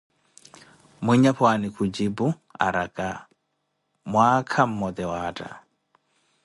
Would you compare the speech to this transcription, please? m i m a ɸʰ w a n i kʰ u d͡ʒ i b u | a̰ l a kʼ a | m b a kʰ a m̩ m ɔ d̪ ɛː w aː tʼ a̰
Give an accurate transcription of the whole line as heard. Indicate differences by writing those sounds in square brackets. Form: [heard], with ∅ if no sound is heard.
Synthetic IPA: m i [ɲ] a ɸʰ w a n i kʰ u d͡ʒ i b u | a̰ [ɾ] a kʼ a | m [w] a kʰ a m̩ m ɔ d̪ [ɛ] w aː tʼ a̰